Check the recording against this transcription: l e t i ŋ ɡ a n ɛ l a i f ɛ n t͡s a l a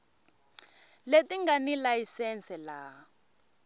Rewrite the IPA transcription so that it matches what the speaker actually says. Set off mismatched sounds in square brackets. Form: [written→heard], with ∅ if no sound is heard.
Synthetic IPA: l e t i ŋ ɡ a n [ɛ→i] l a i [f→s] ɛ n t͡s [a→ɛ] l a